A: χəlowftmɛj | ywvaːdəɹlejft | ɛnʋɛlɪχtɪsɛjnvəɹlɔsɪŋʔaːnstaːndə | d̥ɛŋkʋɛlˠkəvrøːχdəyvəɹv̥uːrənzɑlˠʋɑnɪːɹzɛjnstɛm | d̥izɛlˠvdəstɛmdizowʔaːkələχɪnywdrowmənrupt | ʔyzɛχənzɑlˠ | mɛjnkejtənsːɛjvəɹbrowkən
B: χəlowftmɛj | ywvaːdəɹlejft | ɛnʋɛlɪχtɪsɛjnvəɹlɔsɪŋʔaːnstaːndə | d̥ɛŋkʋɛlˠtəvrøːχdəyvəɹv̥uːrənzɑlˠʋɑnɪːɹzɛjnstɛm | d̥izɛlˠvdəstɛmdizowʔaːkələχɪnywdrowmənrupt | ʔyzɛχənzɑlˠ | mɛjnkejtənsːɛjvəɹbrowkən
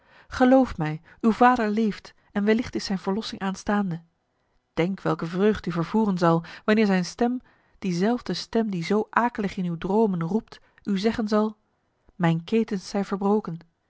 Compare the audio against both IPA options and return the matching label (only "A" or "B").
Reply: A